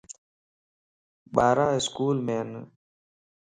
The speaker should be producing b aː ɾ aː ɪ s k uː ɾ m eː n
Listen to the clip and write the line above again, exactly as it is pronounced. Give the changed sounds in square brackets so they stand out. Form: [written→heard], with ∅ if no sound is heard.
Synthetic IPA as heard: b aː ɾ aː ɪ s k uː [ɾ→l] m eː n